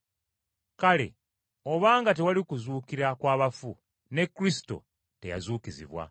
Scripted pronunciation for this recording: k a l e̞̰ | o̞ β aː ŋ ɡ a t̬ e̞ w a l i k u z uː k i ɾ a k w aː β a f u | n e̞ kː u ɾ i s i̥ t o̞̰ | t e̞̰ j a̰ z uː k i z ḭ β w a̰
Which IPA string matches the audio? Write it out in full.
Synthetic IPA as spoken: k a l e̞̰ | o̞ β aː ŋ ɡ a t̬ e̞ w a l i k u z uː k i ɾ a k w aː β a f u | n e̞ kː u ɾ i s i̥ t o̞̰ | t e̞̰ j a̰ z uː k i z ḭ β w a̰